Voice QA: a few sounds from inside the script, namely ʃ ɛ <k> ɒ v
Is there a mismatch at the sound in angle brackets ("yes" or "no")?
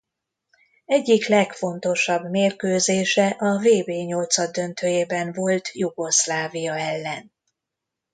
yes